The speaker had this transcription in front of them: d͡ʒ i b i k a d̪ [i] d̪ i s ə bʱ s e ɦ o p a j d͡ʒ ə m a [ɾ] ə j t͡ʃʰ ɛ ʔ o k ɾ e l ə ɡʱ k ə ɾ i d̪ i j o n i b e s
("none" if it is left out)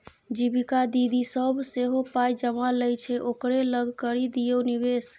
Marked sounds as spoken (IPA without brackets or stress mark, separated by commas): i, l